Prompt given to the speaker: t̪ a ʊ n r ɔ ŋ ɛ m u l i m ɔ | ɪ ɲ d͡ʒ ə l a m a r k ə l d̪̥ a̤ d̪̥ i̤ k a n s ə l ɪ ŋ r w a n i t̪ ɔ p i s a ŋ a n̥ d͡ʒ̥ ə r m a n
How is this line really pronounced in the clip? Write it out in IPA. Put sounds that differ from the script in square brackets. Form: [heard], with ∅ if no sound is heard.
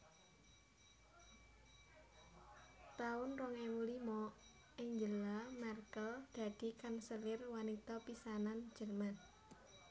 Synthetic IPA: t̪ a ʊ n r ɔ ŋ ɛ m u l i m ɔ | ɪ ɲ d͡ʒ ə l a m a r k ə l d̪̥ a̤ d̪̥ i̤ k a n s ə l ɪ [∅] r w a n i t̪ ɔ p i s a [n] a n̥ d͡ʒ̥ ə r m a n